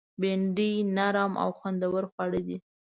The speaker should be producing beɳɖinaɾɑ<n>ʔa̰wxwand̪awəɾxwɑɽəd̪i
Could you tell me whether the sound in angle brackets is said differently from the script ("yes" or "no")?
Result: yes